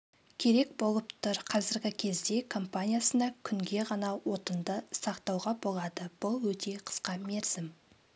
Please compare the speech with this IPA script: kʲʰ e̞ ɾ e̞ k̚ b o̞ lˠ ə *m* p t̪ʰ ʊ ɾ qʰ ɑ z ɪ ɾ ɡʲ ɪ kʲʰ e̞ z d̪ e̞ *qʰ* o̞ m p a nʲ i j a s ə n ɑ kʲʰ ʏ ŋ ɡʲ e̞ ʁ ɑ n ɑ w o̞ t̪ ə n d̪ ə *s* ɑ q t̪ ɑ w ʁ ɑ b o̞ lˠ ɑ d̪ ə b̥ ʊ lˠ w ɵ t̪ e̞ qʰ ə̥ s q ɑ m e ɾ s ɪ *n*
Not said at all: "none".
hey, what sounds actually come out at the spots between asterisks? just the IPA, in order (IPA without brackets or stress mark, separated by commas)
none, kʰ, s, m